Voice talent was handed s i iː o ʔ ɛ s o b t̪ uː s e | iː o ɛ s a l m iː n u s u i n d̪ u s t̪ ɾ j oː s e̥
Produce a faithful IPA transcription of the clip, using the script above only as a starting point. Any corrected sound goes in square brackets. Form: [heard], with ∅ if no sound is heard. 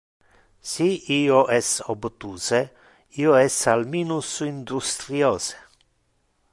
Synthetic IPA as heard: s i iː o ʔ ɛ s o b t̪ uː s e | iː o ɛ s a l m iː n u s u i n d̪ u s t̪ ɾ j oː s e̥